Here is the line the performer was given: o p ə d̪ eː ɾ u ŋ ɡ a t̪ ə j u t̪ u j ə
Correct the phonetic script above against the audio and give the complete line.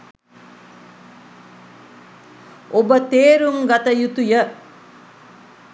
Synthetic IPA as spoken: o b ə t̪ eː ɾ u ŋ ɡ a t̪ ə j u t̪ u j ə